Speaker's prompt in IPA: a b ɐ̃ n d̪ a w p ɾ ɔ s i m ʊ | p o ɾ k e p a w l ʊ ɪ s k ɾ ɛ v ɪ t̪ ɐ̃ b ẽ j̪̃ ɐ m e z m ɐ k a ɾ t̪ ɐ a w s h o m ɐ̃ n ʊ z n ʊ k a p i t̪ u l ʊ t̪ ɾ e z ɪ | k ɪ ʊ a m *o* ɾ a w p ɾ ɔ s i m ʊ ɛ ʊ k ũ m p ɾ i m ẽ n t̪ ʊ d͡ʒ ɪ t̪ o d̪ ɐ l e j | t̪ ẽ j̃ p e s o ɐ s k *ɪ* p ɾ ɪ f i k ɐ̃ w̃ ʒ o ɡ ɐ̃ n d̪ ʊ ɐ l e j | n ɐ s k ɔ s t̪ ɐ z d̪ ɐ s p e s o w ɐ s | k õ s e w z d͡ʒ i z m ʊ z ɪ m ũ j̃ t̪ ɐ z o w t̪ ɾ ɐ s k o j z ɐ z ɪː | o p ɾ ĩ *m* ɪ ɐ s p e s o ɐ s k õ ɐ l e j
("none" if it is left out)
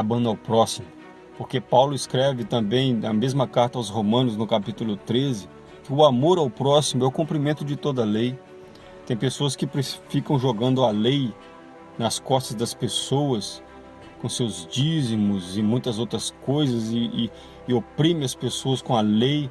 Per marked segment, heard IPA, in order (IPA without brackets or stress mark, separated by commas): o, ɪ, m